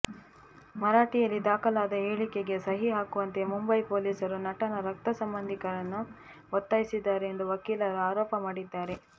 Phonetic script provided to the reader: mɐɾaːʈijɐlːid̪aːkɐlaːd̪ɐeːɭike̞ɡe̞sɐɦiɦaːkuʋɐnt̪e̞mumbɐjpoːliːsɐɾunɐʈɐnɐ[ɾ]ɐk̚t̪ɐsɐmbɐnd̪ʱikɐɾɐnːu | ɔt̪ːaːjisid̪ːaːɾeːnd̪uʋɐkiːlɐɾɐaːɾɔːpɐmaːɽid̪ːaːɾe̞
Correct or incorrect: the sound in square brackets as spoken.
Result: correct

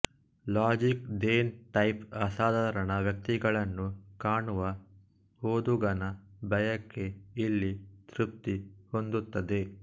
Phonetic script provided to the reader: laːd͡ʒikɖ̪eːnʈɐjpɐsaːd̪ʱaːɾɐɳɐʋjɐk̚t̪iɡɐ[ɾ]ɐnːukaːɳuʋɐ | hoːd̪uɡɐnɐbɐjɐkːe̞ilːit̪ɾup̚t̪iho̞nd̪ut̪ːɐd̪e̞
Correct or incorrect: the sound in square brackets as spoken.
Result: incorrect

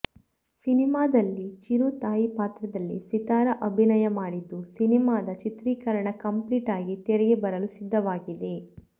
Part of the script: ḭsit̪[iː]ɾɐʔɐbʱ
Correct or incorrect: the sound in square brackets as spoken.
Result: incorrect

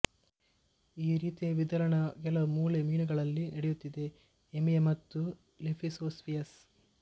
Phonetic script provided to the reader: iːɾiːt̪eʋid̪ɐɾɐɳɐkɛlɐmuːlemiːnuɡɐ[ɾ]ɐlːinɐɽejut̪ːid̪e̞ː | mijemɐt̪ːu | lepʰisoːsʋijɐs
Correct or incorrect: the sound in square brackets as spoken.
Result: incorrect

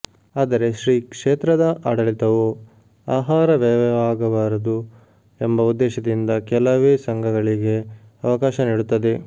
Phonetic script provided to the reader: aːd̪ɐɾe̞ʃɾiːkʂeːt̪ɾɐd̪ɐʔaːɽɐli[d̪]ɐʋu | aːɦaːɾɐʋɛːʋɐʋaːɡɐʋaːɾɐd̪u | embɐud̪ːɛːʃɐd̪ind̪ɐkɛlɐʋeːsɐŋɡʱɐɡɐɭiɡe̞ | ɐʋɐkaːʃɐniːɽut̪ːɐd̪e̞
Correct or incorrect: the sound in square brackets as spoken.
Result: incorrect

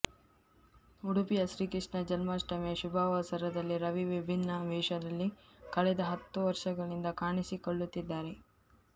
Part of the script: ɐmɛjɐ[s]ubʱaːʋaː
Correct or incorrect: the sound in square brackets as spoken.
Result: incorrect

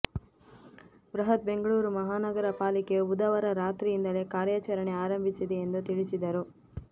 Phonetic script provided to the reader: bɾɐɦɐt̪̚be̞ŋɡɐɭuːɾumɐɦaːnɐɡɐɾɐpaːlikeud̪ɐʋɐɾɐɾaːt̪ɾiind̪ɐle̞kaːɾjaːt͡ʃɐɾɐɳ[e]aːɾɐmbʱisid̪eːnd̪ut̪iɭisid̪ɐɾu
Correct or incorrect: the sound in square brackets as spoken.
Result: correct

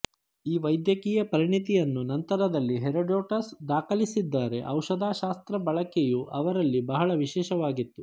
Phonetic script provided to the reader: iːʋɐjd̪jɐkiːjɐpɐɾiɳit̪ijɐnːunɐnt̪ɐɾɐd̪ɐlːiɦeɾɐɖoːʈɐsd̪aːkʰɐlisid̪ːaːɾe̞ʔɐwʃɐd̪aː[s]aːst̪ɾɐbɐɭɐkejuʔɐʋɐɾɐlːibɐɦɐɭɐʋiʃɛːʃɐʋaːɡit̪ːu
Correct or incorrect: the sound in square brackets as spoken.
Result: incorrect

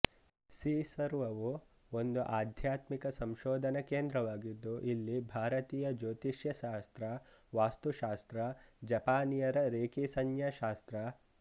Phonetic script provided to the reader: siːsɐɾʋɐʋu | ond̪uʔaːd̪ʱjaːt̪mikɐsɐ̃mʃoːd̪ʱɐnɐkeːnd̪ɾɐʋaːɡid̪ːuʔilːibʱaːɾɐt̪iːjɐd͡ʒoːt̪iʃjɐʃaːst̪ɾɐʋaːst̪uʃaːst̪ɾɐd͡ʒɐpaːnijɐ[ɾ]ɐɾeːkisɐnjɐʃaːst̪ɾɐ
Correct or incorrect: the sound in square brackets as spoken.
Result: correct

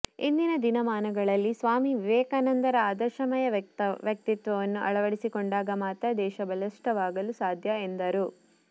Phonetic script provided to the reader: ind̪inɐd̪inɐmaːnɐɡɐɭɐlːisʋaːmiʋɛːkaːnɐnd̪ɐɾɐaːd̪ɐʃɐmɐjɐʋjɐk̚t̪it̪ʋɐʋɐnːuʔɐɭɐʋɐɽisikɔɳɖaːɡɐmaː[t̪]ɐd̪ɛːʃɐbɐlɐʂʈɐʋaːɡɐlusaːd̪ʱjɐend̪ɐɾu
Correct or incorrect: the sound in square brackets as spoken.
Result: correct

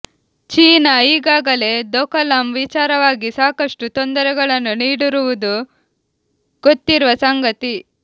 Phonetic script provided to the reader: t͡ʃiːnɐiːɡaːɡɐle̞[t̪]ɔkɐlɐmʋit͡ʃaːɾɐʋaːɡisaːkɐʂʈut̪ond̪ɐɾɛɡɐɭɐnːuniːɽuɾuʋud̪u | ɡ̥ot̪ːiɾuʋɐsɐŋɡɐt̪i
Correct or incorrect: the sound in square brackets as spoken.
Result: incorrect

